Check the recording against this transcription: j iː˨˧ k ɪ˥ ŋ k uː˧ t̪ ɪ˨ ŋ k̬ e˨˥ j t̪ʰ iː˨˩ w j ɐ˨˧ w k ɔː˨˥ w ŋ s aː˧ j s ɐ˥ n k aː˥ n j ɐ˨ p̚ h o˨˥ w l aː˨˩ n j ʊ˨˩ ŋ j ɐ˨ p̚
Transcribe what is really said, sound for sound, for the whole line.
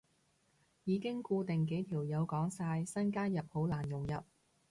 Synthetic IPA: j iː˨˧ k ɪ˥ ŋ k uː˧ t̪ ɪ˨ ŋ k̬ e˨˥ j t̪ʰ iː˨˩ w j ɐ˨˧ w k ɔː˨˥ ŋ s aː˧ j s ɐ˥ n k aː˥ n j ɐ˨ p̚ h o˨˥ w l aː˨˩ n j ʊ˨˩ ŋ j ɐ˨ p̚

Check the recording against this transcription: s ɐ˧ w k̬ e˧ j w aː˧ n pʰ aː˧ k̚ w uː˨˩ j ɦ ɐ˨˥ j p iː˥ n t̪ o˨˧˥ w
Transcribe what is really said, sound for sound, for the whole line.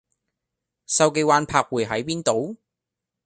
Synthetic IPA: s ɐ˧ w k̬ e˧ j w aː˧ n pʰ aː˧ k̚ w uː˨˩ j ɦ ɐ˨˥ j p iː˥ n t̪ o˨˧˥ w

